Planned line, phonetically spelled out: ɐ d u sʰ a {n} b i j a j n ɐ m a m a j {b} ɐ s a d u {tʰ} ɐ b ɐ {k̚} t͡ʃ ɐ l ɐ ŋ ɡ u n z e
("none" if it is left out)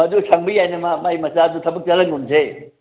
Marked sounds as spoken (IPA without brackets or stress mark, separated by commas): ŋ, m, tʰ, k̚